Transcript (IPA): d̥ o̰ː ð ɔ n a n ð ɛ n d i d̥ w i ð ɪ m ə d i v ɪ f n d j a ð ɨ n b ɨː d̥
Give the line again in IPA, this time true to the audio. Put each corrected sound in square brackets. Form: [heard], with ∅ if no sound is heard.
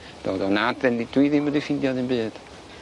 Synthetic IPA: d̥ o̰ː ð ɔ n a [d] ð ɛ n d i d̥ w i ð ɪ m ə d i [f] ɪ [∅] n d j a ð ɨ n b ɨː d̥